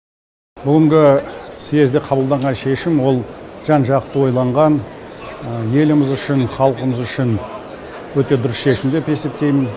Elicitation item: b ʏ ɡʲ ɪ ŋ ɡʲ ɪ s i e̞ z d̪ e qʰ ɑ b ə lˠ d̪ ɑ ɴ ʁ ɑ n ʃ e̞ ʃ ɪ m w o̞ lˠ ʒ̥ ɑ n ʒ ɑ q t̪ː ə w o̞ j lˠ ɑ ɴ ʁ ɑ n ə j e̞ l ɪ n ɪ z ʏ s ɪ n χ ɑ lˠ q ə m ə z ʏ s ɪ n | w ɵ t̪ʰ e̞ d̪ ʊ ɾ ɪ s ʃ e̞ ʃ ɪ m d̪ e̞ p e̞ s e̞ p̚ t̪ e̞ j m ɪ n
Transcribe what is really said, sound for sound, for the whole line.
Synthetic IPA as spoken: b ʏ ɡʲ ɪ ŋ ɡʲ ɪ s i e̞ z d̪ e qʰ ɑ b ə lˠ d̪ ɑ ɴ ʁ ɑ n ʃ e̞ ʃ ɪ m w o̞ lˠ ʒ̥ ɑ n ʒ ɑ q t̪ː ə w o̞ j lˠ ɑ ɴ ʁ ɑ n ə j e̞ l ɪ m ɪ z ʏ ʃ ɪ n χ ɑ lˠ q ə m ə z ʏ ʃ ɪ n | w ɵ t̪ e̞ d̪ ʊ ɾ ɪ s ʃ e̞ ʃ ɪ m d̪ e̞ p e̞ s e̞ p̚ t̪ e̞ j m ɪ n